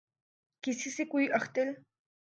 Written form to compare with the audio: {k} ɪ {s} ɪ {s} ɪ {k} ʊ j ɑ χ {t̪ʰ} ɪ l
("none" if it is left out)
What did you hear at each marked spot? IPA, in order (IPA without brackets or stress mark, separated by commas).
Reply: k, s, s, k, t̪